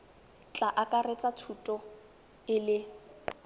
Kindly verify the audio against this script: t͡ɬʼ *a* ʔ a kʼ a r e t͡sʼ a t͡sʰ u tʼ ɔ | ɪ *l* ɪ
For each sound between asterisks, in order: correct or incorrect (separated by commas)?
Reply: correct, correct